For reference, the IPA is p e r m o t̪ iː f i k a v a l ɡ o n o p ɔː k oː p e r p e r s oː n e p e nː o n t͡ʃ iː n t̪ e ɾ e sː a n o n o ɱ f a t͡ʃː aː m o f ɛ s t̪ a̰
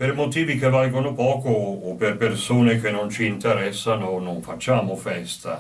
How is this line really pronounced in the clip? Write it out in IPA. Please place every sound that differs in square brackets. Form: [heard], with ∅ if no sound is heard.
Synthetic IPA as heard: p e r m o t̪ iː [v] i k [e] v a l ɡ o n o p ɔː k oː p e r p e r s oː n e [k] e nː o n t͡ʃ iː n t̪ e ɾ [ɛ] sː a n o n o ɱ f a t͡ʃː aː m o f ɛ s t̪ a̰